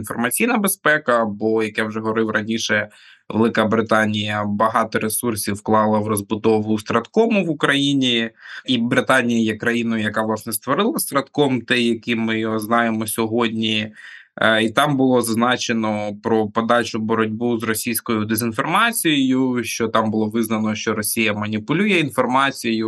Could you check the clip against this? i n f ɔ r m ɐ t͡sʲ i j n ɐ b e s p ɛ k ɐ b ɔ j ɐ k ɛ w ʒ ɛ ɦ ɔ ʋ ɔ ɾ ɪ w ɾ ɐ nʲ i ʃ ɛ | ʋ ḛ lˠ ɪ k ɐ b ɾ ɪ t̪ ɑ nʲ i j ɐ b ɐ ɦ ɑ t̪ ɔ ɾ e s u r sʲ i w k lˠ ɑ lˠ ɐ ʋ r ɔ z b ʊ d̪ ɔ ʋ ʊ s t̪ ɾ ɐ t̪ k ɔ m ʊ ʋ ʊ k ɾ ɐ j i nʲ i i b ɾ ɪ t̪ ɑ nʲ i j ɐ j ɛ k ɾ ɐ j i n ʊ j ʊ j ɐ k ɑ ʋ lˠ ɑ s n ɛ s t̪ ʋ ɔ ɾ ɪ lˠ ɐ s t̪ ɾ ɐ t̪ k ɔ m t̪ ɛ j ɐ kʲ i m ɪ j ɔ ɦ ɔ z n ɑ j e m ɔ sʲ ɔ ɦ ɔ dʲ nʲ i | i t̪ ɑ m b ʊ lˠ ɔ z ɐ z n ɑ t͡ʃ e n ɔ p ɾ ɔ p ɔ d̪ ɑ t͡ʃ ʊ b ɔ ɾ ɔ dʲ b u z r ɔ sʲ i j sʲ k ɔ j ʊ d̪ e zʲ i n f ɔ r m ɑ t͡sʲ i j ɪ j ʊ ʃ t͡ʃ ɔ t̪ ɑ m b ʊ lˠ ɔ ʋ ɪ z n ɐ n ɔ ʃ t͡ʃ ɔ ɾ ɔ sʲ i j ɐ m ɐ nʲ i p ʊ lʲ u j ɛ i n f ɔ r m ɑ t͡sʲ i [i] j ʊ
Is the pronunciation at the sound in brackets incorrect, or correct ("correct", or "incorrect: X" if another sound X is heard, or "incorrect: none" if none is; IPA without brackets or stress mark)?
incorrect: j